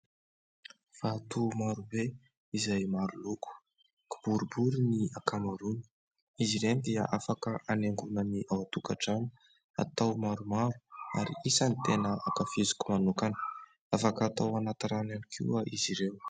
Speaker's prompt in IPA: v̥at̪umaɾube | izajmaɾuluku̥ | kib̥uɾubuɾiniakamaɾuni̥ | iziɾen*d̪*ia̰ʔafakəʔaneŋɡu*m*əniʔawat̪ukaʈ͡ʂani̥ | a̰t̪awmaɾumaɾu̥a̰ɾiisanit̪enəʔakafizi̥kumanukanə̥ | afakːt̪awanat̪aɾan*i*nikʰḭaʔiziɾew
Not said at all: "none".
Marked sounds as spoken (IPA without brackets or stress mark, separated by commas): d̪, n, a